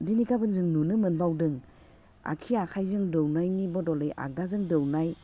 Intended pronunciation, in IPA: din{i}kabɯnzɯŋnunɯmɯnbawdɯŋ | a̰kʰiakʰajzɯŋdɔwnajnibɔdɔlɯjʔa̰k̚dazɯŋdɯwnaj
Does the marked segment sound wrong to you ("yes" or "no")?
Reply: no